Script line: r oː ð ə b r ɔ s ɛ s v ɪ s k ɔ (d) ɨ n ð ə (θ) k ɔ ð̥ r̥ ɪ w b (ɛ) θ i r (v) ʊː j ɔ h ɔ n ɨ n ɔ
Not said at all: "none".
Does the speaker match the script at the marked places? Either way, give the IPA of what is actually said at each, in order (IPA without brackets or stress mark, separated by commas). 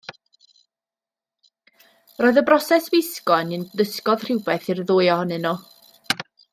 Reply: n, s, ɛ, ð